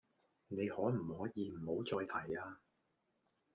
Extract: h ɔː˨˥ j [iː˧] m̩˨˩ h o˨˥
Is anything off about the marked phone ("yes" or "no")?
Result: no